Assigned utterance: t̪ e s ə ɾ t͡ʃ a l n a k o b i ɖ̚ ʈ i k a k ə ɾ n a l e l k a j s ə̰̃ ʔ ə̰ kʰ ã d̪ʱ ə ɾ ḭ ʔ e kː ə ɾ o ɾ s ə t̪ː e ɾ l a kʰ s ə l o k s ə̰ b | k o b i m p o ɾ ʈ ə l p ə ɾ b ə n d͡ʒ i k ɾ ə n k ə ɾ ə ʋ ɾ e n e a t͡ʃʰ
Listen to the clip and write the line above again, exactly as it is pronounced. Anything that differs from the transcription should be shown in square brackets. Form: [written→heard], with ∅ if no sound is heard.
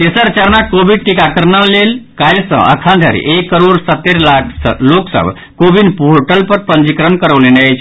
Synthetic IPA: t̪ e s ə ɾ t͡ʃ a [l→ɾ] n a k o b i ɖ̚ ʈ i k a k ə ɾ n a l e l k a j s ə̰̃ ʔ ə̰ kʰ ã d̪ʱ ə ɾ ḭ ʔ e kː ə ɾ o ɾ s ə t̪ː e ɾ l a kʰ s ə l o k s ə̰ b | k o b i [m→n] p o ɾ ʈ ə l p ə ɾ [b→p] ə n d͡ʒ i k ɾ ə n k ə ɾ ə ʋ [ɾ→l] e n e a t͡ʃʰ